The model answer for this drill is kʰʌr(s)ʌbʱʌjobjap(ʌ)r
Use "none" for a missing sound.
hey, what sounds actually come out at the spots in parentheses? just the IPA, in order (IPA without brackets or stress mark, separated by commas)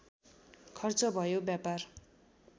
t͡s, a